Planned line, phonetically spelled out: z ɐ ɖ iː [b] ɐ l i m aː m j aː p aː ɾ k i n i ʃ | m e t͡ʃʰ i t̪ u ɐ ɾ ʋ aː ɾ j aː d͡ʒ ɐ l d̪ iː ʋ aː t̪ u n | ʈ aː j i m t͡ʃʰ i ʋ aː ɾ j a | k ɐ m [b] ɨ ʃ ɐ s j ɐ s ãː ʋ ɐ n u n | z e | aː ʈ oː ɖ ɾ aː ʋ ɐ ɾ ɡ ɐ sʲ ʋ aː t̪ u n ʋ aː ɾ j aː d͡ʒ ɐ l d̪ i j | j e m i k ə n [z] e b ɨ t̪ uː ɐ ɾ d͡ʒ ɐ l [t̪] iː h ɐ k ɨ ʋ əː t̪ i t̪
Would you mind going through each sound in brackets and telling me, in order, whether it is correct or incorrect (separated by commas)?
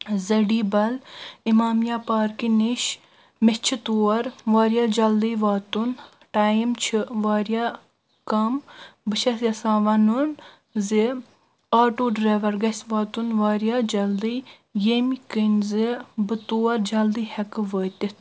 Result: correct, correct, correct, incorrect